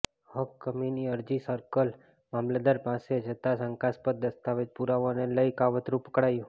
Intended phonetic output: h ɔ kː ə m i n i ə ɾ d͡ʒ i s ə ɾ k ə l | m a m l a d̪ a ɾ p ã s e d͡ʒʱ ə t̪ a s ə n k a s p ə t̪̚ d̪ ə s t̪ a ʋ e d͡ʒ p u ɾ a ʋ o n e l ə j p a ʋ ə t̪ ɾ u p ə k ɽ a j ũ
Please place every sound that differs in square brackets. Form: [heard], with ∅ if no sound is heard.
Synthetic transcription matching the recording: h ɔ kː ə m i n i ə ɾ d͡ʒ i s ə ɾ k ə l | m a m l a d̪ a ɾ p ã s e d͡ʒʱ ə t̪ a s ə [ŋ] k a s p ə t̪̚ d̪ ə s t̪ a ʋ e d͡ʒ p u ɾ a ʋ o n e l ə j [k] a ʋ ə t̪ ɾ u p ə k ɽ a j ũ